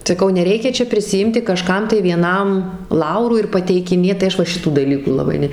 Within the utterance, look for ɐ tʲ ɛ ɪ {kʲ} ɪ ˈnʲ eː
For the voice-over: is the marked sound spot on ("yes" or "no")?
yes